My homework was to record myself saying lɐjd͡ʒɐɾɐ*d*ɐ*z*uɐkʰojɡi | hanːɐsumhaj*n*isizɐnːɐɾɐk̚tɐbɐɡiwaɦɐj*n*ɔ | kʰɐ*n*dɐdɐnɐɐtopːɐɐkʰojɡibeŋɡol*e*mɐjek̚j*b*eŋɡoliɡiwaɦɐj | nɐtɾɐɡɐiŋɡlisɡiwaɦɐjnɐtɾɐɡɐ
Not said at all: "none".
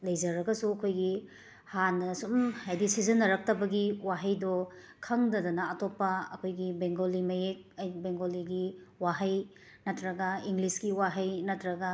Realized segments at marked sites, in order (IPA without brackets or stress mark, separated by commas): ɡ, s, d, d, ŋ, i, b